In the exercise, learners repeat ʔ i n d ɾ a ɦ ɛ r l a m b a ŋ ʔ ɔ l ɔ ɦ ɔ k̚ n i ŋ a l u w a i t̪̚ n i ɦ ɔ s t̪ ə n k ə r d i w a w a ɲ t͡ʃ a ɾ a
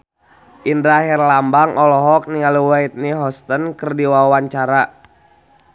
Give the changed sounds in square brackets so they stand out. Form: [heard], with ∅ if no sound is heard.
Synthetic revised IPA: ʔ i n d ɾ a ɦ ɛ r l a m b a ŋ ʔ ɔ l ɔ ɦ ɔ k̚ n i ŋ a l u w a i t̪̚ n i ɦ ɔ s t̪ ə n k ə r d i w a w a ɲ t͡ʃ a ɾ a